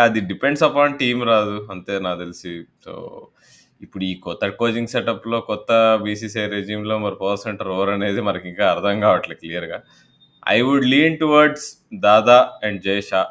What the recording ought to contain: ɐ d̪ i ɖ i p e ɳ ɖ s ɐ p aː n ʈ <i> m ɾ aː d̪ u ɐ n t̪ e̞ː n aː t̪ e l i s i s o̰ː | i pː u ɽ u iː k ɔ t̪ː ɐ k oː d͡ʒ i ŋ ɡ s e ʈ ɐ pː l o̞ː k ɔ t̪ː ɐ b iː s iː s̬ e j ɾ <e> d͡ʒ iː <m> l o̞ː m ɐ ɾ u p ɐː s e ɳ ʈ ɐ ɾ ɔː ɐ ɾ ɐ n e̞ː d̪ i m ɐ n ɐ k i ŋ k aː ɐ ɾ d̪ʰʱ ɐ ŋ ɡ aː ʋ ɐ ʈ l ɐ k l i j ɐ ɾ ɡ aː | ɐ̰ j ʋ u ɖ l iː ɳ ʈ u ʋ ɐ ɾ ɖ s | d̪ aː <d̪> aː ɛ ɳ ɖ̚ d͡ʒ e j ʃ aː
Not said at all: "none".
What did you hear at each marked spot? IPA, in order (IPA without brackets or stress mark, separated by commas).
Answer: iː, e, m, d̪